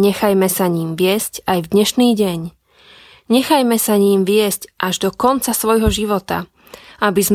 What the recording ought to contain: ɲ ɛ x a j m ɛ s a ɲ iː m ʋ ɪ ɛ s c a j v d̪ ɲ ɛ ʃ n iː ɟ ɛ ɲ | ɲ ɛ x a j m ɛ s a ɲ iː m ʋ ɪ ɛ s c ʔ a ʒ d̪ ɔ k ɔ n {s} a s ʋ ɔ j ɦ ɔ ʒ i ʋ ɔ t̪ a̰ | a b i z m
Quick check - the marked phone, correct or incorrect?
incorrect